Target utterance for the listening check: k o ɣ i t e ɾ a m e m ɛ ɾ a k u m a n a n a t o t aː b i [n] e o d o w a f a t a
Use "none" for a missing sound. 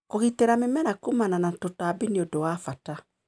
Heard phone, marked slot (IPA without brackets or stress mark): n